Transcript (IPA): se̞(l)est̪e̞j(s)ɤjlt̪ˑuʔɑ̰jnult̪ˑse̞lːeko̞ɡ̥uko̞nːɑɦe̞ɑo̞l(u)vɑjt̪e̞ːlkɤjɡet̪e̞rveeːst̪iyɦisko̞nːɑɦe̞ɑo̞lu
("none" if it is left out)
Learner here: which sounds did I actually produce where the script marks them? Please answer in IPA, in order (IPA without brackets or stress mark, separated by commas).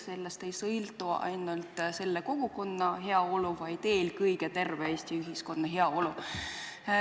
lː, s, u